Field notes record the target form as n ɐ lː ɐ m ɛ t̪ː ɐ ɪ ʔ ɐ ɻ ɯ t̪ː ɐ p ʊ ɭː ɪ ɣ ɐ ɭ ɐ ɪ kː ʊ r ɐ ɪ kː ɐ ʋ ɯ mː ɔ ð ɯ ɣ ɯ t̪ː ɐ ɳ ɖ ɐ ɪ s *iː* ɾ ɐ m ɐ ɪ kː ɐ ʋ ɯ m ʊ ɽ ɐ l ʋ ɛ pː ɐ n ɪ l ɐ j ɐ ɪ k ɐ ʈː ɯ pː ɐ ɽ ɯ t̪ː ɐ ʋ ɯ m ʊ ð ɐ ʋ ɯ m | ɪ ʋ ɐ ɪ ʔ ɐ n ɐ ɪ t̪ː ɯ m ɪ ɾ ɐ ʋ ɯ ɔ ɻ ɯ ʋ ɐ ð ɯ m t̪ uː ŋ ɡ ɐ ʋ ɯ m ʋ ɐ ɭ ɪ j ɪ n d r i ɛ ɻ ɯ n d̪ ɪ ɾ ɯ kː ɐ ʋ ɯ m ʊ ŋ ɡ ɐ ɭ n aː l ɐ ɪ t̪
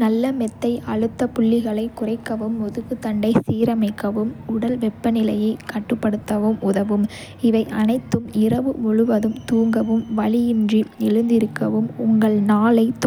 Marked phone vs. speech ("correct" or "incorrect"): correct